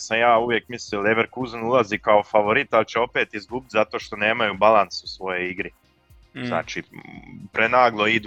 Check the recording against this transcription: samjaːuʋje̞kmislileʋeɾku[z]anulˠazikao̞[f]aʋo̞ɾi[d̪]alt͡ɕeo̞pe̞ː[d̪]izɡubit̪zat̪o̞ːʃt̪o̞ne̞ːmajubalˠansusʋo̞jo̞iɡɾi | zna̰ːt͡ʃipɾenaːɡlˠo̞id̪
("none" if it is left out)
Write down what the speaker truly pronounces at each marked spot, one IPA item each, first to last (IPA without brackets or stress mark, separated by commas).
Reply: z, f, t̪, t̪